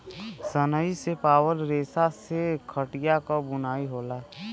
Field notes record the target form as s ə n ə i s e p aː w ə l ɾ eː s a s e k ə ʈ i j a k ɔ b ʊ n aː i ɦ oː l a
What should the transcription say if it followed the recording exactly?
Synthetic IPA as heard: s ə n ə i s e p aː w ə l ɾ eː s a s e kʰ ə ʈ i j a k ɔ b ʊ n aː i ɦ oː l a